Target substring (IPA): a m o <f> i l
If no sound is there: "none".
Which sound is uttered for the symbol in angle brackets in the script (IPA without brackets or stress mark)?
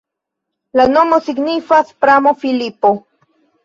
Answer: f